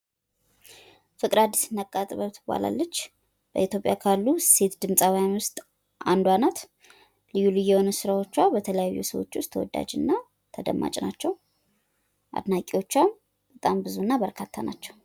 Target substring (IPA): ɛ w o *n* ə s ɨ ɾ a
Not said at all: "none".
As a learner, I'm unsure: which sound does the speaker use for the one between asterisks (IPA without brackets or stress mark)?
n